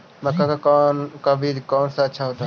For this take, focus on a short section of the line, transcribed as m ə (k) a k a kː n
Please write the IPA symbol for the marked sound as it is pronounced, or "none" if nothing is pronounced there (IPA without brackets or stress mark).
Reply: k